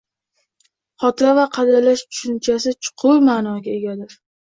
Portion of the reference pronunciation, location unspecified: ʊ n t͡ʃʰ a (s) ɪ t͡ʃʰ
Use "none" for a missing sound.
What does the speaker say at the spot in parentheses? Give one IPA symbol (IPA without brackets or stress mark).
s